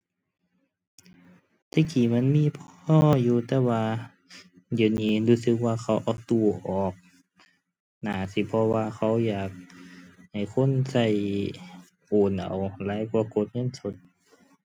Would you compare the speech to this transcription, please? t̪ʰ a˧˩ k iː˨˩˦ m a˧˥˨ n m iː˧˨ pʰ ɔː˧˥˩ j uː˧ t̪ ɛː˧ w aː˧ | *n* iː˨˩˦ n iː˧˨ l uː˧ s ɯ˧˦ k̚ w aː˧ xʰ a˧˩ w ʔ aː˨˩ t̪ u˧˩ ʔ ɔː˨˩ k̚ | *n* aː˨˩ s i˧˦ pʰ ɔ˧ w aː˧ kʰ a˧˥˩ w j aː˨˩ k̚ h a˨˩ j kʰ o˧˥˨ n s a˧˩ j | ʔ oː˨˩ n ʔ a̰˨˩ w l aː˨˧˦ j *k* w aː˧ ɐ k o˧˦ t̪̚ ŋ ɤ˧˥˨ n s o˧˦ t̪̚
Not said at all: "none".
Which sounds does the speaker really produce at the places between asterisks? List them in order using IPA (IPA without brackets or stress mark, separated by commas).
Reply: d, n, k